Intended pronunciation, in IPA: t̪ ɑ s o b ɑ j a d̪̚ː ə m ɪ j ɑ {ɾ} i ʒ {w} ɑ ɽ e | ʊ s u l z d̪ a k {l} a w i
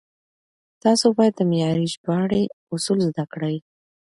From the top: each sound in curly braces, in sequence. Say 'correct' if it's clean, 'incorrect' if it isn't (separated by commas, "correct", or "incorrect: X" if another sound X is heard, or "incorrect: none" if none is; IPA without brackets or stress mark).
correct, incorrect: b, incorrect: ɽ